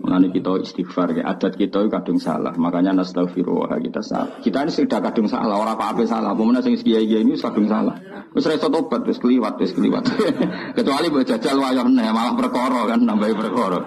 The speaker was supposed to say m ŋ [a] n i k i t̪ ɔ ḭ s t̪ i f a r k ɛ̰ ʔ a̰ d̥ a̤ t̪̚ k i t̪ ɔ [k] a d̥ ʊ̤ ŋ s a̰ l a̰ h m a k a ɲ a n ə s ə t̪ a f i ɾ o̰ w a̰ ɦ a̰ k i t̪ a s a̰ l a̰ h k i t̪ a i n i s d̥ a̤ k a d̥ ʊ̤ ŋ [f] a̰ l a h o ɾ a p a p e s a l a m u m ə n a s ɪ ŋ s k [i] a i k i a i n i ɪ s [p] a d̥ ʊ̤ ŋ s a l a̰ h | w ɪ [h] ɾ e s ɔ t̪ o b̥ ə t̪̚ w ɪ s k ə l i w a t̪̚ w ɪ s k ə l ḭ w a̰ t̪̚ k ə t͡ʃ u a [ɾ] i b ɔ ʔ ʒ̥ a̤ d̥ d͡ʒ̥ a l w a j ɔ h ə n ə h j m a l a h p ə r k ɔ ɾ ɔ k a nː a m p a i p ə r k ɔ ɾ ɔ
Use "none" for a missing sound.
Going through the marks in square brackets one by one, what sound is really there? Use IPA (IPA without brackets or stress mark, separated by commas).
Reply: a, k, s, i, k, s, l